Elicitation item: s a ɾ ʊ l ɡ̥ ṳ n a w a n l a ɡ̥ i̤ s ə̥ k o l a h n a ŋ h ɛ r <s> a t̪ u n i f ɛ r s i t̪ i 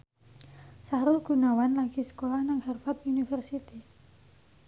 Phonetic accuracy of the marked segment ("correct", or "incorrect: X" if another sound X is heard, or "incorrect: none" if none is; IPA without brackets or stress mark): incorrect: f